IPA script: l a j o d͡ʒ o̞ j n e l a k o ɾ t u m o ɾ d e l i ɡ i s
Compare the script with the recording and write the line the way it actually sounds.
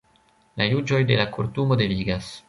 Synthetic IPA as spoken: l a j u d͡ʒ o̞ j d e l a k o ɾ t u m o d e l i ɡ a s